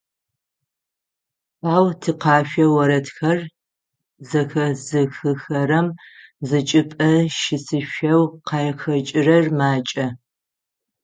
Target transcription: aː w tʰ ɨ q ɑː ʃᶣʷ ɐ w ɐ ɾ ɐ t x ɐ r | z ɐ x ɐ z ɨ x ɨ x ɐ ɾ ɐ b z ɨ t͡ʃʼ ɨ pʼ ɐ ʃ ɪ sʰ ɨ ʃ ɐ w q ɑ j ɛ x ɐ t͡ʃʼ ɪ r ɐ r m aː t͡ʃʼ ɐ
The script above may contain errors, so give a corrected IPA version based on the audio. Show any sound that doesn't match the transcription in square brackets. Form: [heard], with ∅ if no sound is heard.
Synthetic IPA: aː w tʰ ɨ q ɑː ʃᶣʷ ɐ w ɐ ɾ ɐ t x ɐ r | z ɐ x ɐ z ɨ x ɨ x ɐ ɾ ɐ [m] z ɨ t͡ʃʼ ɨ pʼ ɐ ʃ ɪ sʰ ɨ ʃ ɐ w q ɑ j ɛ x ɐ t͡ʃʼ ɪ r ɐ r m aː t͡ʃʼ ɐ

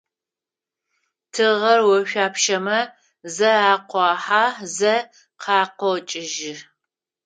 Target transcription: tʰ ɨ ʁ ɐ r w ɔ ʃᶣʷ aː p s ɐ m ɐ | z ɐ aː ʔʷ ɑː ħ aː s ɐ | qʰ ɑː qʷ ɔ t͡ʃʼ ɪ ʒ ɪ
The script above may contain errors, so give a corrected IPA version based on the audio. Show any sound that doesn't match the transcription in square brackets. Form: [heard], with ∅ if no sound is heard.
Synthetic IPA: tʰ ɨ ʁ ɐ r w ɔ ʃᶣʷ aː p [ʃ] ɐ m ɐ | z ɐ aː [qʷ] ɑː ħ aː [z] ɐ | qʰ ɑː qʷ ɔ t͡ʃʼ ɪ ʒ ɪ

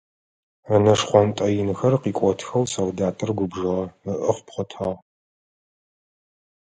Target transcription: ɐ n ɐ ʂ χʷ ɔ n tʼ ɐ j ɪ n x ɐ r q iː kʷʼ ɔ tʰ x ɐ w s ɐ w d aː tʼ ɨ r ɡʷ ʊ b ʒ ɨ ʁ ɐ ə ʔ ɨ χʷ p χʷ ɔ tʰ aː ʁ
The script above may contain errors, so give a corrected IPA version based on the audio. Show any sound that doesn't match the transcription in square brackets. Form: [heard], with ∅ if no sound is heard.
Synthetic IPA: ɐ n ɐ ʂ χʷ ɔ n tʼ ɐ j ɪ n x ɐ r q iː kʷʼ ɔ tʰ x ɐ w s ɐ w d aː tʼ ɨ r ɡʷ ʊ b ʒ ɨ ʁ ɐ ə ʔ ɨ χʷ p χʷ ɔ tʰ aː ʁ

